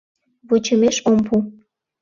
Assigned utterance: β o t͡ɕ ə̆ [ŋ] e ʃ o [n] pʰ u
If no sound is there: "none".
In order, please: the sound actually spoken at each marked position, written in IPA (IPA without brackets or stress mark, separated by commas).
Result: m, m